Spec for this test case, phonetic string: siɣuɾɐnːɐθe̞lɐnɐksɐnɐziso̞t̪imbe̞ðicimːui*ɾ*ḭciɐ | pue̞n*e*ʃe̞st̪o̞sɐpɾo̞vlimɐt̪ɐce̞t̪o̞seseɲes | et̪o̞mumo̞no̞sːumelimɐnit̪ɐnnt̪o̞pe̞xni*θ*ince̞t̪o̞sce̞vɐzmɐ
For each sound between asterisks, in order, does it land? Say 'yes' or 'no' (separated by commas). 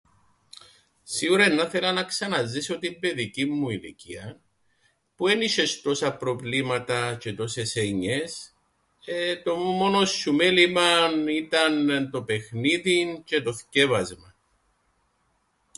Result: no, no, no